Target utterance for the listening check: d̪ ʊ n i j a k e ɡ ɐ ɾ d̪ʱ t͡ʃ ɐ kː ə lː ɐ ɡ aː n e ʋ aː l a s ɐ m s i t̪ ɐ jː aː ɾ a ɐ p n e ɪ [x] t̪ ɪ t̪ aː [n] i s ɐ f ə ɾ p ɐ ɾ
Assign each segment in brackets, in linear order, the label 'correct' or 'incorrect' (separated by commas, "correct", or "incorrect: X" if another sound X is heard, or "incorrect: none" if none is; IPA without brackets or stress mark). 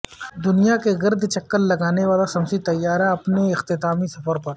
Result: correct, incorrect: m